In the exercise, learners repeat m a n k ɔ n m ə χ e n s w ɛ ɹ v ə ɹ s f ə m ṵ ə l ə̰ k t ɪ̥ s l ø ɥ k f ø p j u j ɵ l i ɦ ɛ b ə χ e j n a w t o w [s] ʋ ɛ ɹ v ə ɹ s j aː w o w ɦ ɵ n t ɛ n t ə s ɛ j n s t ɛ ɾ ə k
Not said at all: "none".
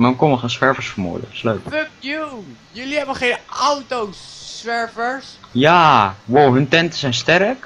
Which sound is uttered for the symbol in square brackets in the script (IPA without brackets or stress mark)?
s